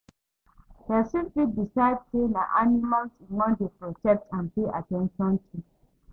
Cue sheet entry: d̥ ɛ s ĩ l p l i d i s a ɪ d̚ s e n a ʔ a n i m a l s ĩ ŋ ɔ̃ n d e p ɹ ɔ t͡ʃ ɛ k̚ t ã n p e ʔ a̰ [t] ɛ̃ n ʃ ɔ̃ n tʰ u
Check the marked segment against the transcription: correct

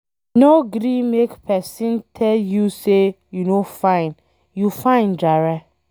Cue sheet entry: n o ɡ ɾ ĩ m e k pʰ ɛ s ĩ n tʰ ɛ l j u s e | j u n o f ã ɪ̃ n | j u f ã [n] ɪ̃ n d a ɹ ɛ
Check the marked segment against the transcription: incorrect: none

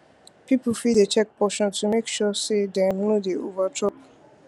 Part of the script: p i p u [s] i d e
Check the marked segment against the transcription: incorrect: f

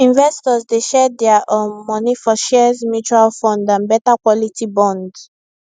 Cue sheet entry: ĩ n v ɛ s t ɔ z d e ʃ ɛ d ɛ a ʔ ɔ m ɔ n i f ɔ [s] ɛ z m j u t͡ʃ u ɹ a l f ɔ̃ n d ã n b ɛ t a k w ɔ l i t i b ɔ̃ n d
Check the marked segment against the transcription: incorrect: ʃ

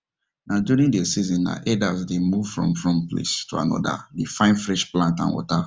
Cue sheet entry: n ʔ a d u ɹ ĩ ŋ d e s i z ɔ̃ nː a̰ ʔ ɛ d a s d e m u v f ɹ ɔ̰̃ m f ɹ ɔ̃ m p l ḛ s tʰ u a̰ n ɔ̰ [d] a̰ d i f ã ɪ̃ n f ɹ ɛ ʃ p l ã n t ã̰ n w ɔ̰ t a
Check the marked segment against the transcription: correct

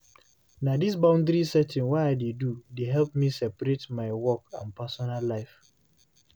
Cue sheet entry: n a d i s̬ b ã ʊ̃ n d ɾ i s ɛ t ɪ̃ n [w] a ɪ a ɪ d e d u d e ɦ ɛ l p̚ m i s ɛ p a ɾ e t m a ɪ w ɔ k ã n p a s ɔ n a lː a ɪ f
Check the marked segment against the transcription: correct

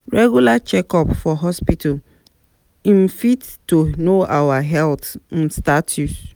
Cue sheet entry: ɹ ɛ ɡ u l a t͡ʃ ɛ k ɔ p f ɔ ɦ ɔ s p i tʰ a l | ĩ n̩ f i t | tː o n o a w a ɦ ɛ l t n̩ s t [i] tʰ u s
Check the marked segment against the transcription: incorrect: a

